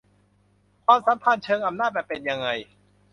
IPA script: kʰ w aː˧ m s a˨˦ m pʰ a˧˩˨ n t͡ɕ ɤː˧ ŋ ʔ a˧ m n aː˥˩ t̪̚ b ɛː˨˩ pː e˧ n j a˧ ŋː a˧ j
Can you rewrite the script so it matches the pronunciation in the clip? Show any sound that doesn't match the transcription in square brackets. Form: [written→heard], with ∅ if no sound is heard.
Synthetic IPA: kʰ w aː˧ m s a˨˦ m pʰ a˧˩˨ n [t͡ɕ→t͡ɕʰ] ɤː˧ ŋ ʔ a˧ m n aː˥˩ t̪̚ b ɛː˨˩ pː e˧ n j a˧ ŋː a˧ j